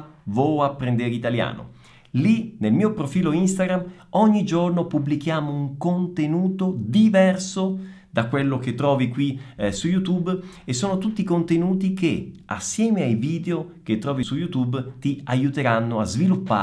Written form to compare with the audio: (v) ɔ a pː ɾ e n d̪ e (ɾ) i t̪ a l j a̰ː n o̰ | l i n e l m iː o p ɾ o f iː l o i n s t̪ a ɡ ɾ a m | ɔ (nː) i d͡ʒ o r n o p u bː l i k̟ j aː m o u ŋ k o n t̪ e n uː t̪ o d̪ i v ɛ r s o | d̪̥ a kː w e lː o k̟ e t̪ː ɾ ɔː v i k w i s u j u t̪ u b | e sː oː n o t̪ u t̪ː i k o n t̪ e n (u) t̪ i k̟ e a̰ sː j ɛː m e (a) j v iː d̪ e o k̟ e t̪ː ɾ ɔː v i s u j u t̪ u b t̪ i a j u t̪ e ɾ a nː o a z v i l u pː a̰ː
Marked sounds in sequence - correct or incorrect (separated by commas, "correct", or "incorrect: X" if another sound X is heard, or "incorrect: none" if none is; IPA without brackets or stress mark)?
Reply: correct, correct, incorrect: ɲː, incorrect: uː, correct